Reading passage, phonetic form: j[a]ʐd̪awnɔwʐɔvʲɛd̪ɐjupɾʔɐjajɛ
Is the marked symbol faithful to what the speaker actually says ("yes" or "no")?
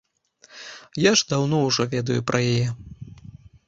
yes